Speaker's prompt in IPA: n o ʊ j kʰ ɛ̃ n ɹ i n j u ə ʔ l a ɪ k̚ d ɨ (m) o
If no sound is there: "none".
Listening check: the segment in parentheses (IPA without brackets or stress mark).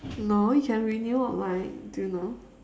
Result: n